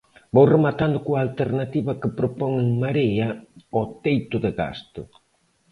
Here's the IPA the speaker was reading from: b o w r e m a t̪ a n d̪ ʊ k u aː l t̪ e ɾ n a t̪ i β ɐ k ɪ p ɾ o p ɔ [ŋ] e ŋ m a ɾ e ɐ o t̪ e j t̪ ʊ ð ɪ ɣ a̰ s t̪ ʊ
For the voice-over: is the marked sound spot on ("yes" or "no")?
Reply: yes